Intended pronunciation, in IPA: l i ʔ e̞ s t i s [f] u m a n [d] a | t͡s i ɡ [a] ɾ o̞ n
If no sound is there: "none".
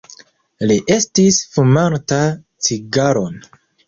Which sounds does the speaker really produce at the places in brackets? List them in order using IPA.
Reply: f, t, a

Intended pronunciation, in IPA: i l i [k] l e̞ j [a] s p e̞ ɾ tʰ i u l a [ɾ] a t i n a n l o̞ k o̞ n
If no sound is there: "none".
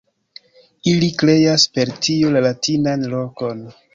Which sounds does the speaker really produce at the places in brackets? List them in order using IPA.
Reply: k, a, l

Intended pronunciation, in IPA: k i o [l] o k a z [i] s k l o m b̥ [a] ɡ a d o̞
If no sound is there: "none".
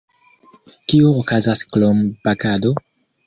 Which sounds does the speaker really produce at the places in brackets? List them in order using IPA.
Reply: none, a, a

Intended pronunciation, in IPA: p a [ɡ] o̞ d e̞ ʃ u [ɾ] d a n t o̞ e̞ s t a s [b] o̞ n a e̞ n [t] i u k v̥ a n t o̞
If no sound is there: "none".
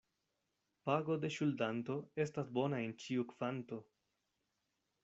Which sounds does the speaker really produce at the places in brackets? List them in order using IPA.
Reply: ɡ, l, b, t͡ʃ

